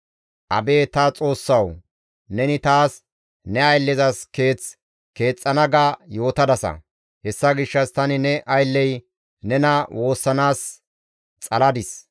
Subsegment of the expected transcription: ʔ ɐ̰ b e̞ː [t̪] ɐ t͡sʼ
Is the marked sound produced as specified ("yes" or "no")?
yes